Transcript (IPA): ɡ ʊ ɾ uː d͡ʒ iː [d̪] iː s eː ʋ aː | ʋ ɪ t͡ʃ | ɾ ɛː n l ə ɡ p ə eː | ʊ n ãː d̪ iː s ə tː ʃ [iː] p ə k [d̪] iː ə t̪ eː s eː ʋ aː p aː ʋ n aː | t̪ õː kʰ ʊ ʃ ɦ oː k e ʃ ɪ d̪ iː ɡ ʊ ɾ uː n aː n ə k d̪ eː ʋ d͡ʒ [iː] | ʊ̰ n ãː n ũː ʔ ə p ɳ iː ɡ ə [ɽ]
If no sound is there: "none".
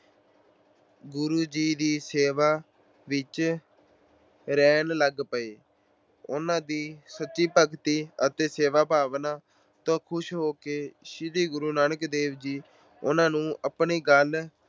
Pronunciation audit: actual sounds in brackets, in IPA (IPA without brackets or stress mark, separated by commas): d̪, iː, t̪, iː, l